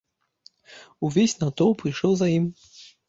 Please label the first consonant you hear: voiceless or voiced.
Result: voiced